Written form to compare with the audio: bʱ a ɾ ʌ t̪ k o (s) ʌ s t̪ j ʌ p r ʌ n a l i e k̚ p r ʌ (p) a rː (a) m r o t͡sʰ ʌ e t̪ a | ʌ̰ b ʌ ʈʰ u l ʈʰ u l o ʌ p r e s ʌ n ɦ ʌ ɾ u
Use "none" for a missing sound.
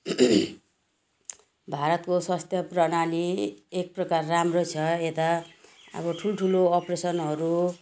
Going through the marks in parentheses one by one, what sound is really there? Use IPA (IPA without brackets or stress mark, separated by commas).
s, k, a